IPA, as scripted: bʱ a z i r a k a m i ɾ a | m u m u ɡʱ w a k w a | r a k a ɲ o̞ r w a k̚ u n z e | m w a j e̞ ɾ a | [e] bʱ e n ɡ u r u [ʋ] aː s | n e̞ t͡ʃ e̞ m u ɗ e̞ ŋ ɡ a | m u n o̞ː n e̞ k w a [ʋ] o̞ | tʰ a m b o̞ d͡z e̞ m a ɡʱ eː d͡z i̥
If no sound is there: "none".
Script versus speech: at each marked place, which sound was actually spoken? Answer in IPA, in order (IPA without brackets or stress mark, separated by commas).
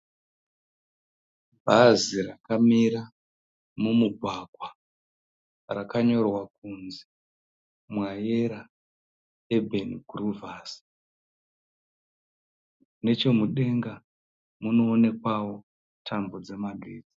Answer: e, v, w